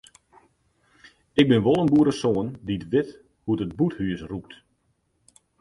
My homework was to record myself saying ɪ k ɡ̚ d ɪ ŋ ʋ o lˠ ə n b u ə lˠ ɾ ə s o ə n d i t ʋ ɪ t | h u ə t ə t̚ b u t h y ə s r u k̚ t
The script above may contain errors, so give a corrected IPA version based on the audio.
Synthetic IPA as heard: ɪ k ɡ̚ b ɪ n ʋ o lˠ ə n b u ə ɾ ə s o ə n d i t ʋ ɪ t | h u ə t ə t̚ b u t h y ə s r u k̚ t